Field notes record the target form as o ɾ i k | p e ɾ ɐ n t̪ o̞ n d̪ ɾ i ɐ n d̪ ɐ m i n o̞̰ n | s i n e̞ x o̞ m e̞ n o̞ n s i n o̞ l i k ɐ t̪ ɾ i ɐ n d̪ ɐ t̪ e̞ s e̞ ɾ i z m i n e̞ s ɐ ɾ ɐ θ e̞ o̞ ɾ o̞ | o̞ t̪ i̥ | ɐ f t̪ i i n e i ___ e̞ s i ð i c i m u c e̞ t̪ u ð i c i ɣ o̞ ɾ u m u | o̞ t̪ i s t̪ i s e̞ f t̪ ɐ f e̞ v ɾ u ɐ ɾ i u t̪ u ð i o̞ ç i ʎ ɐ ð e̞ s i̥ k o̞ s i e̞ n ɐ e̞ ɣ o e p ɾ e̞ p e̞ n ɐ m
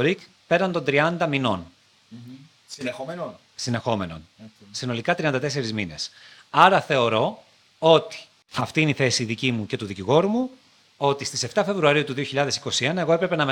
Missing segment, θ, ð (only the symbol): θ